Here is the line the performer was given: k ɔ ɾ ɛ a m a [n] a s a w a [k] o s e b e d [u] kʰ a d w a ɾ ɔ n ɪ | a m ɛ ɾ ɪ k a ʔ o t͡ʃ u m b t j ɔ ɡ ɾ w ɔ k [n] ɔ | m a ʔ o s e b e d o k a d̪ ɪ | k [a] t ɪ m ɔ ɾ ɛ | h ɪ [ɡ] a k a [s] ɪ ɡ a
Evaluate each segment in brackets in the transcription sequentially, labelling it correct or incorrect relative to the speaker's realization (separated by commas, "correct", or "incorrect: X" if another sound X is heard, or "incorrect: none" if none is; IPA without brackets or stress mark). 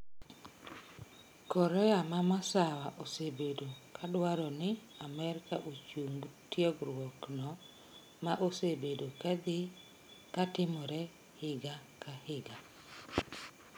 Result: incorrect: m, incorrect: ʔ, incorrect: o, correct, correct, correct, incorrect: h